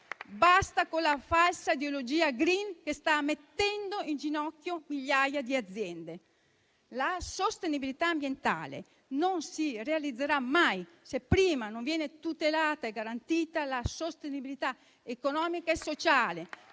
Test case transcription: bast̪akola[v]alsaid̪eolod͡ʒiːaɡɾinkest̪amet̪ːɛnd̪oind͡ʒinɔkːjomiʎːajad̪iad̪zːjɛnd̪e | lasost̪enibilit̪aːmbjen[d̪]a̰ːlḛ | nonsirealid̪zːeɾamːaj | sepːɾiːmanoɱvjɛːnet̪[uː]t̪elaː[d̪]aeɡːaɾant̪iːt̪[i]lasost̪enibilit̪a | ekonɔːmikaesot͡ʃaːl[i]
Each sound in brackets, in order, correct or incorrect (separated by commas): incorrect, incorrect, incorrect, incorrect, incorrect, incorrect